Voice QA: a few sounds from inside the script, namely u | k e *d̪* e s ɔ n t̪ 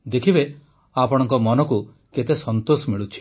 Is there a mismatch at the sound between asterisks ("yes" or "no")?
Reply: yes